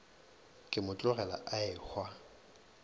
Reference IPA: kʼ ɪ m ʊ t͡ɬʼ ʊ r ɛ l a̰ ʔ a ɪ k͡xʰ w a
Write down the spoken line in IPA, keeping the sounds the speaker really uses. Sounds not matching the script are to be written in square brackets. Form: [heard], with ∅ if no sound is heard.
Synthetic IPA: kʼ ɪ m ʊ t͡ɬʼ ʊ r ɛ l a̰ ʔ a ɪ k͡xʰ w a